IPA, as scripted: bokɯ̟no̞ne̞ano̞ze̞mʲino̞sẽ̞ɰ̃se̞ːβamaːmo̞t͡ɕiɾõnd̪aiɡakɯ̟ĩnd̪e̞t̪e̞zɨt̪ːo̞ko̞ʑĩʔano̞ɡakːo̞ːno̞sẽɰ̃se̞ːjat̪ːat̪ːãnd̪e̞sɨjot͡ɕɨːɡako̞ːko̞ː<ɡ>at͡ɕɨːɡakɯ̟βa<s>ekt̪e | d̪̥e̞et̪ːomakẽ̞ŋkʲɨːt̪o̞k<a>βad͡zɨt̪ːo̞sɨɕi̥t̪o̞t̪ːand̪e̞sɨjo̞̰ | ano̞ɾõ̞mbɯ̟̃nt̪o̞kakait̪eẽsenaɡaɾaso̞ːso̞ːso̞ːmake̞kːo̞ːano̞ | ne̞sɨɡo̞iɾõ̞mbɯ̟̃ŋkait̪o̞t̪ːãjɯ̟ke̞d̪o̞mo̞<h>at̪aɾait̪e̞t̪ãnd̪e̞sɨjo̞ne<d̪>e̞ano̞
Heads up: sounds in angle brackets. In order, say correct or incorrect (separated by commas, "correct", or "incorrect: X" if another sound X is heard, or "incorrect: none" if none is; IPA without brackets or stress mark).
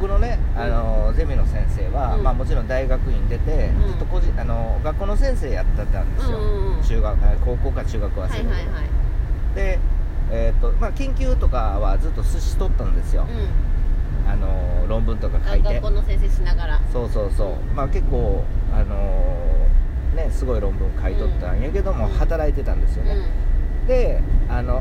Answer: incorrect: k, correct, correct, correct, correct